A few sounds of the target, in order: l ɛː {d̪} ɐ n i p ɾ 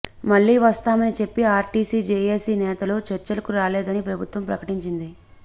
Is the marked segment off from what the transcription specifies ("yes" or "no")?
no